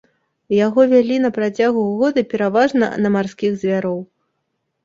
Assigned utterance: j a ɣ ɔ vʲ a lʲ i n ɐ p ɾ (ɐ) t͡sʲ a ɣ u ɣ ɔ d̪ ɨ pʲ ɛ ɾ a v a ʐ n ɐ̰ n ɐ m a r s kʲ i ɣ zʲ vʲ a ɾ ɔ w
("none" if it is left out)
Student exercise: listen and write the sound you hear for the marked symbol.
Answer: a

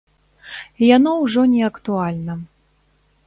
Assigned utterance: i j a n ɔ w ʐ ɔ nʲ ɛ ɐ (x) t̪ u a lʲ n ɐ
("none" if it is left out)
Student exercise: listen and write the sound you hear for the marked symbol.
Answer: k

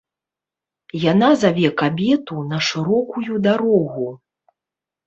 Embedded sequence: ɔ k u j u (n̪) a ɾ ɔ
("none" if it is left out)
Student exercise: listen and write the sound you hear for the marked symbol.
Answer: d̪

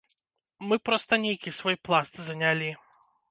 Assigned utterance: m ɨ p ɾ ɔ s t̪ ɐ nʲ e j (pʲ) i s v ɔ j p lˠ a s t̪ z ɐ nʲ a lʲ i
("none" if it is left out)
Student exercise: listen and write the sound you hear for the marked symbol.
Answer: kʲ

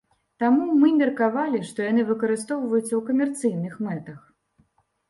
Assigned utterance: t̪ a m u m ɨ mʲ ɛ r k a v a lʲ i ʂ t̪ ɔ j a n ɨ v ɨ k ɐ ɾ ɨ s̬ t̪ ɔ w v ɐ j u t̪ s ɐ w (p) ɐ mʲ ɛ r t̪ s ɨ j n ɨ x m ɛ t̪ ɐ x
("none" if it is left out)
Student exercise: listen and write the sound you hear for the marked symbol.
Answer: k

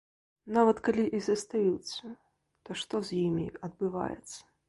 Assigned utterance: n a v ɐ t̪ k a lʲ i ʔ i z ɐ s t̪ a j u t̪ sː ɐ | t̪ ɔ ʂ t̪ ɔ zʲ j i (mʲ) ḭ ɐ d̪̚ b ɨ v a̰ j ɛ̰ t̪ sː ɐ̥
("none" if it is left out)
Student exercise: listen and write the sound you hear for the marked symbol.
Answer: mʲ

